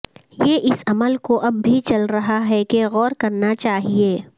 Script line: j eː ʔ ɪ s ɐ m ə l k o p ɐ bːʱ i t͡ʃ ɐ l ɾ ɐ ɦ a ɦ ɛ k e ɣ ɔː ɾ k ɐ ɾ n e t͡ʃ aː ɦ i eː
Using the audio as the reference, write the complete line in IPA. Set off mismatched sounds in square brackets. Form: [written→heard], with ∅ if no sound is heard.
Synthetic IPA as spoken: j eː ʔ ɪ s ɐ m ə l k o [p→ʔ] ɐ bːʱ i t͡ʃ ɐ l ɾ ɐ ɦ a ɦ ɛ k e ɣ ɔː ɾ k ɐ ɾ n [e→a] t͡ʃ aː ɦ i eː